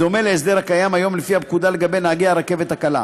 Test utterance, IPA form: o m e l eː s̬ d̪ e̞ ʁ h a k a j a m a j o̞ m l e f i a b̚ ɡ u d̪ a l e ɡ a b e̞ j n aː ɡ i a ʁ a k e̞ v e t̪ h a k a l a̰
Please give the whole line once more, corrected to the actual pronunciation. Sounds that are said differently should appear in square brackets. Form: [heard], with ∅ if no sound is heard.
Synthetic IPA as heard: o m e l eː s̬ d̪ e̞ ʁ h a k a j a m a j o̞ m l e f i a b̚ [k] u d̪ a l e ɡ a b e̞ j n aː ɡ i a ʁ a k e̞ v e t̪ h a k a l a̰